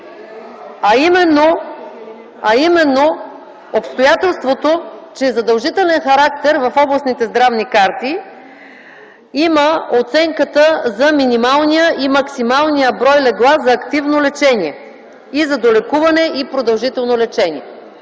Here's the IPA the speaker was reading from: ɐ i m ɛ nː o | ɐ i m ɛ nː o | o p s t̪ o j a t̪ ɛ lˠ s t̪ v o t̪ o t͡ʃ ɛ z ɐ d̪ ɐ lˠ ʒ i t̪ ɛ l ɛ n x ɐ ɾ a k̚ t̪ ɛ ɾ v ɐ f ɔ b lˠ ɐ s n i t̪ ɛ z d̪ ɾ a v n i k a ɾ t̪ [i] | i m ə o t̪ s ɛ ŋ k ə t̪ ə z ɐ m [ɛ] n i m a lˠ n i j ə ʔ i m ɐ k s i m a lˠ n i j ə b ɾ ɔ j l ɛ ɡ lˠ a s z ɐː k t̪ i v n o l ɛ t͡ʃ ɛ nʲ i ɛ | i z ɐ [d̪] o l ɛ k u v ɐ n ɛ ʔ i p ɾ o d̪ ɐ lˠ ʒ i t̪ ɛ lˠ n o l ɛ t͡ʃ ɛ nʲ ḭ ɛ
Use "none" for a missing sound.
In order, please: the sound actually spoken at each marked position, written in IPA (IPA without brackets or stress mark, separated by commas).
i, i, d̪